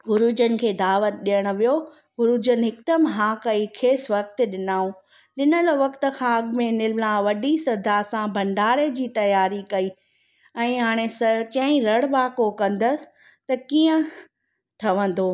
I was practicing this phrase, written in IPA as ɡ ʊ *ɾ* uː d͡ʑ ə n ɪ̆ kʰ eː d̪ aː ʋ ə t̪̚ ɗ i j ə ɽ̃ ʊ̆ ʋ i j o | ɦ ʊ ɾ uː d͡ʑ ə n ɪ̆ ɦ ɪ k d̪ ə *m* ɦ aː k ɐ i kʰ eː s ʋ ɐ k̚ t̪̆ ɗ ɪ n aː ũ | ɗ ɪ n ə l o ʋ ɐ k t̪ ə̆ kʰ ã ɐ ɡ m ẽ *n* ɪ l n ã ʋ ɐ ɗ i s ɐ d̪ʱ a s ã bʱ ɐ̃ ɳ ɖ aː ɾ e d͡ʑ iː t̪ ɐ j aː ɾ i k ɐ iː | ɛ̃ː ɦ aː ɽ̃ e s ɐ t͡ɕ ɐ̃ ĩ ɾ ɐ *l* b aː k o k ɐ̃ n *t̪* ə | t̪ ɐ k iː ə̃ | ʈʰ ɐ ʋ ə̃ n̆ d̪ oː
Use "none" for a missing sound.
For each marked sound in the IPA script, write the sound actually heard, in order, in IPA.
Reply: ɾ, m, n, ɽ, d̪

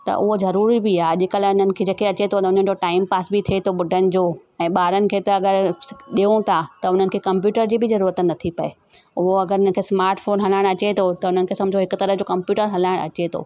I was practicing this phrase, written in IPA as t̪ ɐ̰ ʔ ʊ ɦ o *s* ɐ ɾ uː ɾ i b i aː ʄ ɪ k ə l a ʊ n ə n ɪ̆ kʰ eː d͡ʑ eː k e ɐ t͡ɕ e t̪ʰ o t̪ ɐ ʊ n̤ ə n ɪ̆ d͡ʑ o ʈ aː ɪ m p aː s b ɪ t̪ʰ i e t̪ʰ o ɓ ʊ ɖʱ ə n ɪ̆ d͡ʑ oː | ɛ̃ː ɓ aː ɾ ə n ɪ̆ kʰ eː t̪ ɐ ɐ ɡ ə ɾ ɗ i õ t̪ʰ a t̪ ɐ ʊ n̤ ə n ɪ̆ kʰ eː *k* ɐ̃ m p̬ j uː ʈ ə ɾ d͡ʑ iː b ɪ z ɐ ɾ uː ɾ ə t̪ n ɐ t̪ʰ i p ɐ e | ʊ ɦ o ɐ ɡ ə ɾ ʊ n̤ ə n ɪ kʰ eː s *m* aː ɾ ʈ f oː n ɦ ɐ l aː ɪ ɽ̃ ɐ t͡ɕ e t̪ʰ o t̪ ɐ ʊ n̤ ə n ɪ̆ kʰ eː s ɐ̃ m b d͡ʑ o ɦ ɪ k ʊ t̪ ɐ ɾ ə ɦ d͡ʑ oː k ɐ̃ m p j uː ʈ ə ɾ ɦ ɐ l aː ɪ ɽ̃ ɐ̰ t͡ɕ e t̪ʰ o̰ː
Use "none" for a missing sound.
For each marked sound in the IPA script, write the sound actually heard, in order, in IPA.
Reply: z, k, m

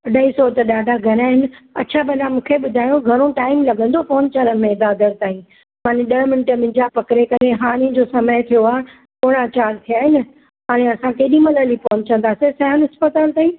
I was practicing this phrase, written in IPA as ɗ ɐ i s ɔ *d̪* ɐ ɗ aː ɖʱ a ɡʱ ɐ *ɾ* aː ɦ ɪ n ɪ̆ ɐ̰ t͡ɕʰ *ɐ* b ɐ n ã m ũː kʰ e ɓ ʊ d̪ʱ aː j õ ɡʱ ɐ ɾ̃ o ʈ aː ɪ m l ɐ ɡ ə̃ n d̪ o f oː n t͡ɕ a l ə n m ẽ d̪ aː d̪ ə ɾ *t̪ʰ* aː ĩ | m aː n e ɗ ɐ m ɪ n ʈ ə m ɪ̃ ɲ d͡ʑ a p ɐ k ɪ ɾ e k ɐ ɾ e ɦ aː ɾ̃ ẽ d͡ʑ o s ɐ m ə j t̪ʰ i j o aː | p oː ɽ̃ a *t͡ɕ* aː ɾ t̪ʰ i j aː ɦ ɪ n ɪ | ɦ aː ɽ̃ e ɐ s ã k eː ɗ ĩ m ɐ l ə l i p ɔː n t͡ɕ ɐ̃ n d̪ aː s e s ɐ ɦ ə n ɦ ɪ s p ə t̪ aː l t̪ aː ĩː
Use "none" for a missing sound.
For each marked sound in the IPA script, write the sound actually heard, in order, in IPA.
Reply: t̪, ɾ, a, t̪, t͡ɕ

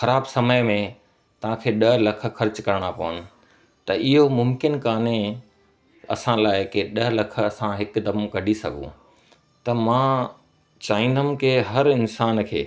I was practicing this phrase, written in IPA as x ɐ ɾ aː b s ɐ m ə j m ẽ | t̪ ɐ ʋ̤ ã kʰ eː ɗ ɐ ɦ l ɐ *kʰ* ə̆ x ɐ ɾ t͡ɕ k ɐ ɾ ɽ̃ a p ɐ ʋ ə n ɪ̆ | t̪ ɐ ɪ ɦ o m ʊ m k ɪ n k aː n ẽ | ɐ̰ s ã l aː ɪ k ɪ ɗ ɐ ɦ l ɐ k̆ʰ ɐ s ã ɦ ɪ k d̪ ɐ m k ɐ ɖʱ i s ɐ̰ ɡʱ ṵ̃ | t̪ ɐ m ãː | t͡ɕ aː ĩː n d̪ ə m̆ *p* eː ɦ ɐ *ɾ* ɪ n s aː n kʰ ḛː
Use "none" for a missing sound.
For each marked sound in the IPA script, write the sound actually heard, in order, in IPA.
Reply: kʰ, k, ɾ

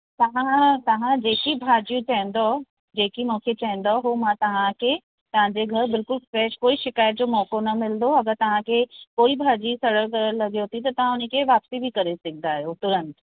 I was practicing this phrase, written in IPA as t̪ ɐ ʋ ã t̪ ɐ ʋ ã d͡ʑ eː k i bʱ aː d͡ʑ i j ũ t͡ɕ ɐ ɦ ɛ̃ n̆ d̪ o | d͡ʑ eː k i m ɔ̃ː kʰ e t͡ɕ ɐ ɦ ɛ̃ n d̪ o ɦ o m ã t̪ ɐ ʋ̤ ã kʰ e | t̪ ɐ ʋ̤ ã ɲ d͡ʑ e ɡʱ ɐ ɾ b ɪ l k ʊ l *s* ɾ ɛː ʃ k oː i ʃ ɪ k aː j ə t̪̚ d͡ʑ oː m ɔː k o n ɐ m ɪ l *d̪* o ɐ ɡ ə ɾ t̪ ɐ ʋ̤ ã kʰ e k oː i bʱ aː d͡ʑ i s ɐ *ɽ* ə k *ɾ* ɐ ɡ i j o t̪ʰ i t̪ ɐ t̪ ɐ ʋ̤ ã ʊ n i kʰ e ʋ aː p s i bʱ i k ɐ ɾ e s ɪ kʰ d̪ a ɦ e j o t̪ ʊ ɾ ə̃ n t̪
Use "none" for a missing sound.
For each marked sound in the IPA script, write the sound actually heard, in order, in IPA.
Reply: f, d̪, ɽ, l

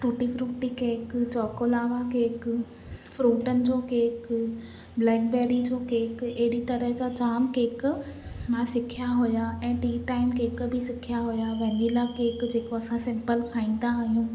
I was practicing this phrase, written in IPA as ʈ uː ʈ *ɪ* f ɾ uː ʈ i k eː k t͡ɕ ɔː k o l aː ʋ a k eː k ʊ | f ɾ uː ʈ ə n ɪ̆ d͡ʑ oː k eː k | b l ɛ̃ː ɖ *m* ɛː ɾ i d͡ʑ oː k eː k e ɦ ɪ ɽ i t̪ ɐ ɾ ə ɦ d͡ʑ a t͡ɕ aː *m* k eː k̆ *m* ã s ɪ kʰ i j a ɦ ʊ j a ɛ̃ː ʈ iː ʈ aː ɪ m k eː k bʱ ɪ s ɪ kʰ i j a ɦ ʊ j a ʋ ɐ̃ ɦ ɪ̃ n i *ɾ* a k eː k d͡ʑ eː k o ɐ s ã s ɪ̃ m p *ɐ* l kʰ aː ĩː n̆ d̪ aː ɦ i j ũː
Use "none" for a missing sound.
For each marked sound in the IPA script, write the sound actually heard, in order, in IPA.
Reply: i, b, m, m, l, ə

